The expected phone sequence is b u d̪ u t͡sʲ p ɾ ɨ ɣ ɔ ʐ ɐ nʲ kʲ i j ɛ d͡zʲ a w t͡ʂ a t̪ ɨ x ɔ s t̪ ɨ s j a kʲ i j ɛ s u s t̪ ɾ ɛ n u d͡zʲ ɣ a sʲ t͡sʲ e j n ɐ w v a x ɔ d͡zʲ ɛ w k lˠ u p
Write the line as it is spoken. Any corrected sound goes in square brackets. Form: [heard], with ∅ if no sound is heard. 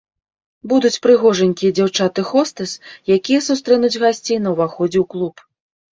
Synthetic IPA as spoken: b u d̪ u t͡sʲ p ɾ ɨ ɣ ɔ ʐ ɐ nʲ kʲ i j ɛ d͡zʲ a w t͡ʂ a t̪ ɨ x ɔ s t̪ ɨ s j a kʲ i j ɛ s u s t̪ ɾ ɛ n u d͡zʲ ɣ a sʲ t͡sʲ e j n ɐ w v a x ɔ d͡zʲ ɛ w k lˠ u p